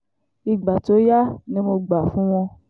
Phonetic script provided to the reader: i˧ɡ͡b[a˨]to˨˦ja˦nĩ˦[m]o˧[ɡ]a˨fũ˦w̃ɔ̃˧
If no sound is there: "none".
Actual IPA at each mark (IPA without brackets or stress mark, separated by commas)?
a˨, m, ɡ͡b